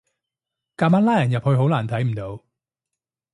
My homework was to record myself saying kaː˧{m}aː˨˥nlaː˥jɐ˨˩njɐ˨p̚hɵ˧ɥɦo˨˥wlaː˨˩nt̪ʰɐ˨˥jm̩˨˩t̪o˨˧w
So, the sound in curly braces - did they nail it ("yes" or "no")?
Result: yes